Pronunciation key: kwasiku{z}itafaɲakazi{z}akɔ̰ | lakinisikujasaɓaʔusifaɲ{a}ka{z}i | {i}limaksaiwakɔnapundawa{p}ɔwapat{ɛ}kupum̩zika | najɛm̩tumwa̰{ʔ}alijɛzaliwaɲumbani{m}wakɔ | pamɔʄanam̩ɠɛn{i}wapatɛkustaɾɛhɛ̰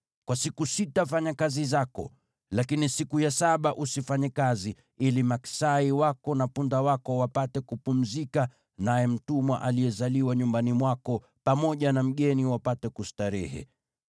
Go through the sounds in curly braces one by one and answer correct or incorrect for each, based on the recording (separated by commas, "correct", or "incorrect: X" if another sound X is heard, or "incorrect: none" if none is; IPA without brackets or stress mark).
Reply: incorrect: s, correct, incorrect: ɛ, correct, correct, incorrect: k, correct, correct, correct, correct